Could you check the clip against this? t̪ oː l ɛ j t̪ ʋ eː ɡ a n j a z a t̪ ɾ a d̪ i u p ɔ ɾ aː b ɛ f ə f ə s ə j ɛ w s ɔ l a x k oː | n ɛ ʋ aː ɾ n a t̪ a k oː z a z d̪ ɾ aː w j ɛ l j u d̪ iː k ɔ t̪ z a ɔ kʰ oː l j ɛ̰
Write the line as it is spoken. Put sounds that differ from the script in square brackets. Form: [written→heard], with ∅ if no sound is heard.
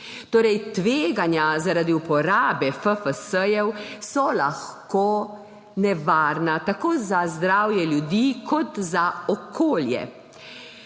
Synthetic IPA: t̪ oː [l→ɾ] ɛ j t̪ ʋ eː ɡ a n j a z a [t̪→∅] ɾ a d̪ i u p ɔ ɾ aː b ɛ f ə f ə s ə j ɛ w s ɔ l a x k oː | n ɛ ʋ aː ɾ n a t̪ a k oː z a z d̪ ɾ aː w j ɛ l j u d̪ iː k ɔ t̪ z a ɔ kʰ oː l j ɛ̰